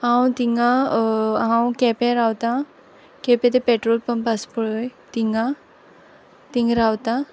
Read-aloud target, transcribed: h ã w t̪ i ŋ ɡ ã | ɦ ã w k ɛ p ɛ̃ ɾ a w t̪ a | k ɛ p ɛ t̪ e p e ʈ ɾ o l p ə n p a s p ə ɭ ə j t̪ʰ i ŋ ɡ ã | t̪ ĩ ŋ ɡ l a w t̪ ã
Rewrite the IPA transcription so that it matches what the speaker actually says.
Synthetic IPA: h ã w t̪ i ŋ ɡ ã | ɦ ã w k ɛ p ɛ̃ ɾ a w t̪ a | k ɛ p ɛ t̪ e p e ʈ ɾ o l p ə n p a s p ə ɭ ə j t̪ i ŋ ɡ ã | t̪ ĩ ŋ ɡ ɾ a w t̪ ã